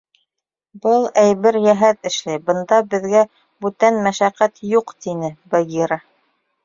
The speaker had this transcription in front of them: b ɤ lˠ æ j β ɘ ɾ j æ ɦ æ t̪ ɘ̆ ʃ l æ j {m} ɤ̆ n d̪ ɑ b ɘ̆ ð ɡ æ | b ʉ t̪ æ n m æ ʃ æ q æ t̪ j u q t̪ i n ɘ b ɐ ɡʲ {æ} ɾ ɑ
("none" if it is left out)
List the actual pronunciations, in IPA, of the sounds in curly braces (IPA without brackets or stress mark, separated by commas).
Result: b, i